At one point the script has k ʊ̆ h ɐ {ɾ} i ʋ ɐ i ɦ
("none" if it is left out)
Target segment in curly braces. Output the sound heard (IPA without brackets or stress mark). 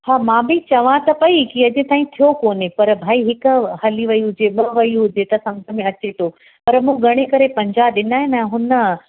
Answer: l